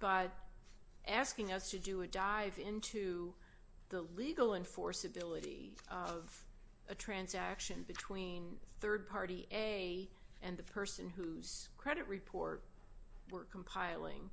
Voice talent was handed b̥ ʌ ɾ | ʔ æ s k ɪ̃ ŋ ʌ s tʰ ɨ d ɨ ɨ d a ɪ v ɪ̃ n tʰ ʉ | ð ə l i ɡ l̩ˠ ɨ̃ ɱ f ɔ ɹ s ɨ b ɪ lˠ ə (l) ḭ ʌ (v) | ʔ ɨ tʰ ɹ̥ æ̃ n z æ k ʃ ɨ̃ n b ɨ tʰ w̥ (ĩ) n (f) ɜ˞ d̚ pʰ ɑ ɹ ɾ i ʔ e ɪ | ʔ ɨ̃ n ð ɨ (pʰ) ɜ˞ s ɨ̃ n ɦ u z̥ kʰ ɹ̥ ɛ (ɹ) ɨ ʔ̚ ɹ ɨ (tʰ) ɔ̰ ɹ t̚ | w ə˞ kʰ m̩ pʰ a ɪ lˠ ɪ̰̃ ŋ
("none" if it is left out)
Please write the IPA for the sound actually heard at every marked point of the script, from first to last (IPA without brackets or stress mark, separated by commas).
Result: ɾ, v, ĩ, θ, pʰ, ɾ, pʰ